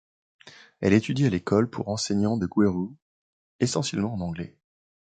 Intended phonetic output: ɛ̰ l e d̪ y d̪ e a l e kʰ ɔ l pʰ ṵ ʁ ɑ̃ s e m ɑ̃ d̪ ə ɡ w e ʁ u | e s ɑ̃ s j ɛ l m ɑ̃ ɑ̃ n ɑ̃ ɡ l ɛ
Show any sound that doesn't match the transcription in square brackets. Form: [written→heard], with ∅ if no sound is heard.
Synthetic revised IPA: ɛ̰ l e [d̪→t̪] y d̪ [e→i] a l e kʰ ɔ l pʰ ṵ ʁ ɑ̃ s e [m→ɲ] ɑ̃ d̪ ə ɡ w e ʁ u | e s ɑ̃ s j ɛ l m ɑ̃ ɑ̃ n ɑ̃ ɡ l ɛ